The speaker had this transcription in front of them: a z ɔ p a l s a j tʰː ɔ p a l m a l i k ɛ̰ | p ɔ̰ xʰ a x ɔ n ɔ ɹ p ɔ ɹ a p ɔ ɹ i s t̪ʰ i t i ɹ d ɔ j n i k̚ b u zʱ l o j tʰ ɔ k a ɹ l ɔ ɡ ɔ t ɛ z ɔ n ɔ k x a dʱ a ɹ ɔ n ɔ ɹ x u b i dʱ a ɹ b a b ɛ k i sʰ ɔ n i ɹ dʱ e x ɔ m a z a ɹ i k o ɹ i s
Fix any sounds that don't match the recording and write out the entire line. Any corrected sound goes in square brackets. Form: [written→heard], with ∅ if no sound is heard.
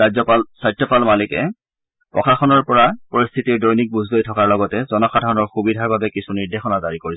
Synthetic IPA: a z ɔ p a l s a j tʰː ɔ p a l m a l i k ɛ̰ | p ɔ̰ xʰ a x ɔ n ɔ ɹ p ɔ ɹ a p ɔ ɹ i s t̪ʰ i t i ɹ d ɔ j n i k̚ b u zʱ l o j tʰ ɔ k a ɹ l ɔ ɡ ɔ t ɛ z ɔ n ɔ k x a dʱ a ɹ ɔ n ɔ ɹ x u b i dʱ a ɹ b a b ɛ k i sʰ [ɔ→u] n i ɹ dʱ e x ɔ [m→n] a z a ɹ i k o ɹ i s